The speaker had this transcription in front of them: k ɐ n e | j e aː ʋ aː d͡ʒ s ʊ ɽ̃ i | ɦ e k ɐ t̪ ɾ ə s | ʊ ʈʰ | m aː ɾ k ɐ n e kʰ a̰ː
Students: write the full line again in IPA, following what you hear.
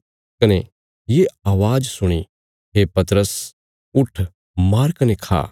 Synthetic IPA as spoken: k ɐ n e | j e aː ʋ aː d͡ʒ s ʊ ɽ̃ i | ɦ e p ɐ t̪ ɾ ə s | ʊ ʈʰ | m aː ɾ k ɐ n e kʰ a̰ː